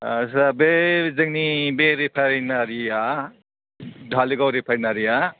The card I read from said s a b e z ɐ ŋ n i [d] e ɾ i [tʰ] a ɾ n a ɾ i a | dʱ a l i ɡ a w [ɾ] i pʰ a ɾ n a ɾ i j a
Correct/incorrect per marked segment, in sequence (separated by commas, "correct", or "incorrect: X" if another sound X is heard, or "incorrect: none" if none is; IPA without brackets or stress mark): incorrect: b, incorrect: pʰ, correct